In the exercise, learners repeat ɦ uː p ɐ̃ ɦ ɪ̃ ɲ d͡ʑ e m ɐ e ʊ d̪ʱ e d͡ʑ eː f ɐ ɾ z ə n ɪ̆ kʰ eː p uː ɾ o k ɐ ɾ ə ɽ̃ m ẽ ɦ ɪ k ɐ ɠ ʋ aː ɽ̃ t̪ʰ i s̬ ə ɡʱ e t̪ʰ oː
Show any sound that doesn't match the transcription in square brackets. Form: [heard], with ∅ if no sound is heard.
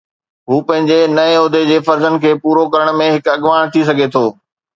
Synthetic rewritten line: ɦ uː p ɐ̃ ɦ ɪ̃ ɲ d͡ʑ e [n] ɐ e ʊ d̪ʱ e d͡ʑ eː f ɐ ɾ z ə n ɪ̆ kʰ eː p uː ɾ o k ɐ ɾ ə ɽ̃ m ẽ ɦ ɪ k ɐ ɠ ʋ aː ɽ̃ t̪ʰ i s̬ [ɐ] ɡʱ e t̪ʰ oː